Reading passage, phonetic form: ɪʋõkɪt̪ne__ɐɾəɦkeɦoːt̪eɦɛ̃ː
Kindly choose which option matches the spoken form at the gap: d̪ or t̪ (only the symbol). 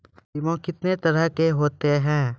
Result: t̪